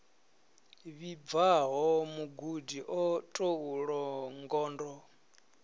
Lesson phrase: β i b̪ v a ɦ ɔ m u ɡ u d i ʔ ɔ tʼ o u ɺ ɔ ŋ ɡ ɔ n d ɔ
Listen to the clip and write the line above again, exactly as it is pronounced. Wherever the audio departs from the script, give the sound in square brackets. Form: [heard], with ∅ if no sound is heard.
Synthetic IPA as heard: β i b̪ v a ɦ ɔ m u ɡ u d i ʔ ɔ tʼ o u ɺ ɔ ŋ ɡ [ɔː] n d ɔ